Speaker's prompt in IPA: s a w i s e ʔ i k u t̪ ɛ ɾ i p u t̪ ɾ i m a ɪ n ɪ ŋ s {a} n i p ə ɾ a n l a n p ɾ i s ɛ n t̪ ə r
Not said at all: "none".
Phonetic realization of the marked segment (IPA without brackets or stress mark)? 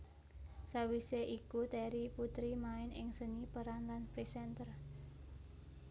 ə